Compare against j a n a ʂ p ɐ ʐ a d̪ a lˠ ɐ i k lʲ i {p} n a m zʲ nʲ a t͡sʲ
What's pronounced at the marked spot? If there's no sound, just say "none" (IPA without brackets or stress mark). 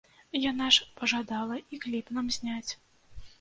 p